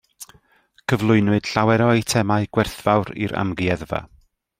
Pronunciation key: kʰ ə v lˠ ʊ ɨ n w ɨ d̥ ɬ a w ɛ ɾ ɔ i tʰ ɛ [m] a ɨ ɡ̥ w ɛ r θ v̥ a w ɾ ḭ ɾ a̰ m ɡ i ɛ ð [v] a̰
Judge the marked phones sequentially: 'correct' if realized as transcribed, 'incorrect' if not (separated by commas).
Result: correct, correct